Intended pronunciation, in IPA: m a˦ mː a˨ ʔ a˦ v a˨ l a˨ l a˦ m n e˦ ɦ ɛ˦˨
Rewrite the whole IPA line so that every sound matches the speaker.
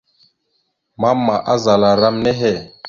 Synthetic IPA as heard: m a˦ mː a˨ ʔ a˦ z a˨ l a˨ ɾ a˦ m n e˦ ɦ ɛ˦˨